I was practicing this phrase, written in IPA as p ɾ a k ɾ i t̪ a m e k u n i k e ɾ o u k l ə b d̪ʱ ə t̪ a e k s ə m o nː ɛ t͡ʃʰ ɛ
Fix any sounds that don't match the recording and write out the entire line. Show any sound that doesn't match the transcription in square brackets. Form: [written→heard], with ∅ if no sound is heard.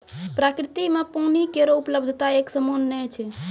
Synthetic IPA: p ɾ a k ɾ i t̪ [a→i] m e [k→p] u n i k e ɾ o u [k→p] l ə b d̪ʱ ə t̪ a e k s ə m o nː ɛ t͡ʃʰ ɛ

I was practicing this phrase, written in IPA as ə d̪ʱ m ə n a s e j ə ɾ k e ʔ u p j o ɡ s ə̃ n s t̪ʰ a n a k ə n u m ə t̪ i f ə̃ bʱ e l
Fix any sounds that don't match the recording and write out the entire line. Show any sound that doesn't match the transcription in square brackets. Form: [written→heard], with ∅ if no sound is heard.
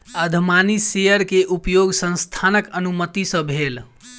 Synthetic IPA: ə d̪ʱ m [ə→a] n [a→i] s e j ə ɾ k e ʔ u p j o ɡ s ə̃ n s t̪ʰ a n [a→ə] k ə n u m ə t̪ i [f→s] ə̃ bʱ e l

